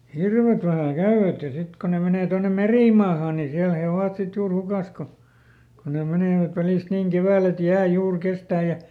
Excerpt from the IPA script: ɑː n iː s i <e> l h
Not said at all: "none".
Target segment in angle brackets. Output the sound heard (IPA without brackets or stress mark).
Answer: æ